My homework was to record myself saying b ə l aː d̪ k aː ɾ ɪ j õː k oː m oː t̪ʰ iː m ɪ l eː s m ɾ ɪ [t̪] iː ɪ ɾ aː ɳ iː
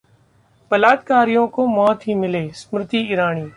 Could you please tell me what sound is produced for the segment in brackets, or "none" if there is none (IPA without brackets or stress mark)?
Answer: t̪